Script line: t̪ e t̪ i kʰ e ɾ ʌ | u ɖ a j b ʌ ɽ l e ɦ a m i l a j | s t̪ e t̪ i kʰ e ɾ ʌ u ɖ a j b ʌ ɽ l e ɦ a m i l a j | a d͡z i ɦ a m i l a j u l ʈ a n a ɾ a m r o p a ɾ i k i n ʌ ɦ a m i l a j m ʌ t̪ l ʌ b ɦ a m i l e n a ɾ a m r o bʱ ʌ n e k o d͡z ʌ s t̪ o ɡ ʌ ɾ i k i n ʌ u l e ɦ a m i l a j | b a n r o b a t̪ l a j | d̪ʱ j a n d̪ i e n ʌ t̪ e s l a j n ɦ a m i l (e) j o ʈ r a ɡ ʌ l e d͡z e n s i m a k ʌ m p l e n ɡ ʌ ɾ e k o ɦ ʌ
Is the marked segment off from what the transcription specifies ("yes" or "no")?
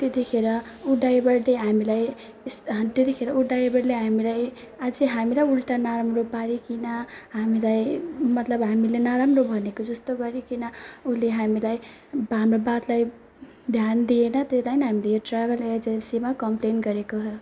no